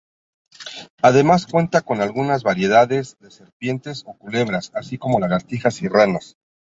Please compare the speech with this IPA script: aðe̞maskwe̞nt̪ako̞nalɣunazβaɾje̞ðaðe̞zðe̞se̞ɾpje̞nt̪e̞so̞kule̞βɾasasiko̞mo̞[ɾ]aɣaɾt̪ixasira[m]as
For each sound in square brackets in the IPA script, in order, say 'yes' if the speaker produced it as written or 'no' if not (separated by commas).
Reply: no, no